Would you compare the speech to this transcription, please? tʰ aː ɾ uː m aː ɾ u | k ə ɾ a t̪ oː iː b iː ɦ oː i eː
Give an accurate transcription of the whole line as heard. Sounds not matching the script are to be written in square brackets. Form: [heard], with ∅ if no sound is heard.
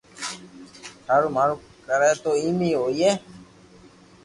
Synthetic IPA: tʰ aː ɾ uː m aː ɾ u | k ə ɾ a t̪ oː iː [m] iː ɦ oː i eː